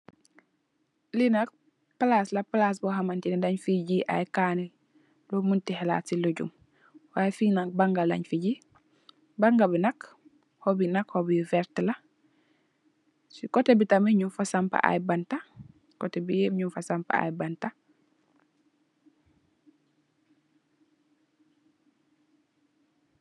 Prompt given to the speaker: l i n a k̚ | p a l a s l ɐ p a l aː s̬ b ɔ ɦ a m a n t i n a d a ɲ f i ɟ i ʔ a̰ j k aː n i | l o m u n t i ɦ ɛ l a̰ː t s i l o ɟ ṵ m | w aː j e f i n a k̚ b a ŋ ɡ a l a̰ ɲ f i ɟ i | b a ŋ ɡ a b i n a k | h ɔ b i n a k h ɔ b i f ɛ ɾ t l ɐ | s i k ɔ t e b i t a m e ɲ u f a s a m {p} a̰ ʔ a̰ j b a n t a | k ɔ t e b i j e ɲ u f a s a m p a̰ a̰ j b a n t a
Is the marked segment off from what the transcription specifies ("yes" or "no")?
no